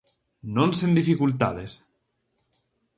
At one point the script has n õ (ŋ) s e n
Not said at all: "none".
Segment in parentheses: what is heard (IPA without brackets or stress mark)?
n